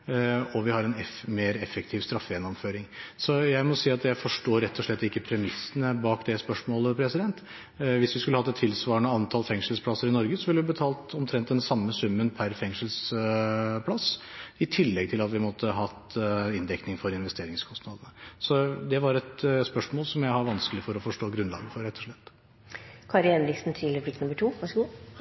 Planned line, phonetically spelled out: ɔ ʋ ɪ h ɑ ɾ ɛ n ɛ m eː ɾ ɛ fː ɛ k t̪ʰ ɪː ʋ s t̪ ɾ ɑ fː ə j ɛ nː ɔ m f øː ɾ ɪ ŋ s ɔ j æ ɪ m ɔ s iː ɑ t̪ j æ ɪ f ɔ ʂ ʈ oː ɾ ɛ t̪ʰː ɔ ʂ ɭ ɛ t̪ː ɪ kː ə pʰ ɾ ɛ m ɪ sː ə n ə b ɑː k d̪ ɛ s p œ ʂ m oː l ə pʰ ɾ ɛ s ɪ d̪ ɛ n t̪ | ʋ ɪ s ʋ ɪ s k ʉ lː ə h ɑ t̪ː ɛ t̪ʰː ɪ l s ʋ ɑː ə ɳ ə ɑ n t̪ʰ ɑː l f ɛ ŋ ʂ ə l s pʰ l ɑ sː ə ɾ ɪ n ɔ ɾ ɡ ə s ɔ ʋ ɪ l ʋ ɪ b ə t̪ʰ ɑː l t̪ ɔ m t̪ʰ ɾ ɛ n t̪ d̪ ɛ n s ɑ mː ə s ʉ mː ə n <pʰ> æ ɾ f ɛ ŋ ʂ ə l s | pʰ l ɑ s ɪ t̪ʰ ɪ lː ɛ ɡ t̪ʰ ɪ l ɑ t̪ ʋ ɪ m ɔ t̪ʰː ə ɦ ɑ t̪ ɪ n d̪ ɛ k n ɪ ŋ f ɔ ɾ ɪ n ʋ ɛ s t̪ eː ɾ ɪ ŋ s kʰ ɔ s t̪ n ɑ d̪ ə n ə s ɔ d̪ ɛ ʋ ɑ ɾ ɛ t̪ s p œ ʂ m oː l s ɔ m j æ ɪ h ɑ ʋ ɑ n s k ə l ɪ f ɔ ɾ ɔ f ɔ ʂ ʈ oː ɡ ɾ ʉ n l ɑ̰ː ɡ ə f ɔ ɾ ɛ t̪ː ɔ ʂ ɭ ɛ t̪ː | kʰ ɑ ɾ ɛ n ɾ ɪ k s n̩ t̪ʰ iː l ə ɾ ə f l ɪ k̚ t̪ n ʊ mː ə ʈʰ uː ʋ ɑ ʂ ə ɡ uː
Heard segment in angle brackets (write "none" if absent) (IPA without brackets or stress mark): pʰ